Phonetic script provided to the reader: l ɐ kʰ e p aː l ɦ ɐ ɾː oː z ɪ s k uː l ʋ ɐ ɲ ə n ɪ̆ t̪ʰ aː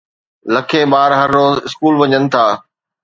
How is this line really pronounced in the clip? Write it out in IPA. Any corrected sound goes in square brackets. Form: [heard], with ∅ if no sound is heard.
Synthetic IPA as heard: l ɐ kʰ e [b] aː [ɾ] ɦ ɐ ɾː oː z ɪ s k uː l ʋ ɐ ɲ ə n ɪ̆ t̪ʰ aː